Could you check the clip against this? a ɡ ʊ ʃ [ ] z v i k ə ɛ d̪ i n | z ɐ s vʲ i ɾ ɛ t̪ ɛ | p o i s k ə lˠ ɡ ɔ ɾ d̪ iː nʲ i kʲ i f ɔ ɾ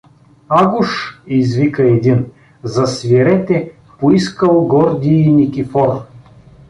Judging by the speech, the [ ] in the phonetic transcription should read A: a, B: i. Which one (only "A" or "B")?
B